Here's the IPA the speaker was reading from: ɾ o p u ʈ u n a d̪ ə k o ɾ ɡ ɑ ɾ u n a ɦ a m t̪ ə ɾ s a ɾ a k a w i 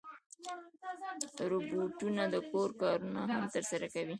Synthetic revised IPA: ɾ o b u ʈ u n a d̪ ə k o ɾ k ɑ ɾ u n a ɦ a m t̪ ə ɾ s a ɾ a k a w i